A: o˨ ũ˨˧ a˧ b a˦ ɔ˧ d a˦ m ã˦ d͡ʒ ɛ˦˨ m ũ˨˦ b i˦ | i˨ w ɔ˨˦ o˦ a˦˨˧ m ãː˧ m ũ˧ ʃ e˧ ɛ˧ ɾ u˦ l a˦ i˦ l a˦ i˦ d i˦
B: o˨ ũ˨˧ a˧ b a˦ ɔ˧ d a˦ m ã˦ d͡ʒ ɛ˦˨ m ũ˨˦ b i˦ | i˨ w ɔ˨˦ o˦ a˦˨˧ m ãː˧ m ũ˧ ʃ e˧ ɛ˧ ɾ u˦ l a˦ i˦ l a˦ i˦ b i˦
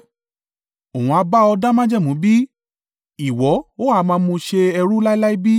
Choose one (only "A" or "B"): B